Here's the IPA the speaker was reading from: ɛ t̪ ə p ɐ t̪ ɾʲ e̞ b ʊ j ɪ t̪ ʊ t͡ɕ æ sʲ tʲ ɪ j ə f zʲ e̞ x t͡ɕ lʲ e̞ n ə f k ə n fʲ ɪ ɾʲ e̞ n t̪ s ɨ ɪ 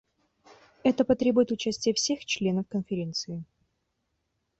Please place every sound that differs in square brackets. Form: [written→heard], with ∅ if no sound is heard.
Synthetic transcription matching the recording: ɛ t̪ ə p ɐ t̪ ɾʲ e̞ b ʊ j ɪ t̪ ʊ t͡ɕ æ sʲ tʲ ɪ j ə f [zʲ→sʲ] e̞ x t͡ɕ lʲ e̞ n ə f k ə n fʲ ɪ ɾʲ e̞ n t̪ s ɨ ɪ